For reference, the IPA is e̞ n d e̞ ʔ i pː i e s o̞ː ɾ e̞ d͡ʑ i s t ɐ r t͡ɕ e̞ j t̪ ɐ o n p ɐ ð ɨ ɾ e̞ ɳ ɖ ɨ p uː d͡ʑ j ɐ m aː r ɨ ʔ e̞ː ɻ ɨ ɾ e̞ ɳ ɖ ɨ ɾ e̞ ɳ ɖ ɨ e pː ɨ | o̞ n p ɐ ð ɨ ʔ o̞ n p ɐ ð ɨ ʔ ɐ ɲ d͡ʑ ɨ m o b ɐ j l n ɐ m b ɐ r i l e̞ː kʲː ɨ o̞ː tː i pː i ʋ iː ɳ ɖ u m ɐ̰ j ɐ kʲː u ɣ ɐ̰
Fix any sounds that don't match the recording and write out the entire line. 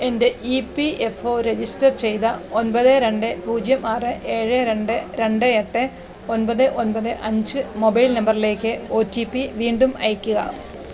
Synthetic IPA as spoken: e̞ n d e̞ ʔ i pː i e f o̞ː ɾ e̞ d͡ʑ i s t ɐ r t͡ɕ e̞ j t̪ ɐ o n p ɐ ð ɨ ɾ e̞ ɳ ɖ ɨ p uː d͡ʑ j ɐ m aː r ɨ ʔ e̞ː ɻ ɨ ɾ e̞ ɳ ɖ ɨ ɾ e̞ ɳ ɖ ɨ e ʈː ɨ | o̞ n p ɐ ð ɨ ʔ o̞ n p ɐ ð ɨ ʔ ɐ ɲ d͡ʑ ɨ m o b ɐ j l n ɐ m b ɐ r i l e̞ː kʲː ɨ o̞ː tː i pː i ʋ iː ɳ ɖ u m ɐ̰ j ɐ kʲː u ɣ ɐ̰